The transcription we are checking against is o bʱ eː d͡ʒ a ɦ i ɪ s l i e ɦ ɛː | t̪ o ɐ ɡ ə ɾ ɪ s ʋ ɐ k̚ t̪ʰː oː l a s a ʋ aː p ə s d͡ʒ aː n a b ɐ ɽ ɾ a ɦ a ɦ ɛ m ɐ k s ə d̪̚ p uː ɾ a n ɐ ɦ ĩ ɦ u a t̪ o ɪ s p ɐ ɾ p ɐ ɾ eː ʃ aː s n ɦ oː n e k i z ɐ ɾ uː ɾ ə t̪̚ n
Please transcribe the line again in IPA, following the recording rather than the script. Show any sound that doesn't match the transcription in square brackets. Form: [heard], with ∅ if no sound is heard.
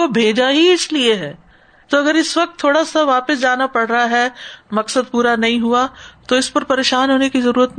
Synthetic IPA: o bʱ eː d͡ʒ a ɦ i ɪ s l i e ɦ ɛː | t̪ o ɐ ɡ ə ɾ ɪ s ʋ ɐ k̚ t̪ʰː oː [ɽ] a s a ʋ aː p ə s d͡ʒ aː n a [p] ɐ ɽ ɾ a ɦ a ɦ ɛ m ɐ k s ə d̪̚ p uː ɾ a n ɐ ɦ ĩ ɦ u a t̪ o ɪ s p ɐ ɾ p ɐ ɾ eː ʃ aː [∅] n ɦ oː n e k i z ɐ ɾ uː ɾ ə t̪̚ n